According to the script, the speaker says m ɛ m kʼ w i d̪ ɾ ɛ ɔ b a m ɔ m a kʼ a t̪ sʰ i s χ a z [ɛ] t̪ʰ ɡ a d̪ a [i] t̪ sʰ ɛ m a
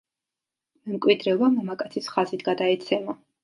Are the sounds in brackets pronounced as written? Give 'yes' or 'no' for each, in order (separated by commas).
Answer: no, no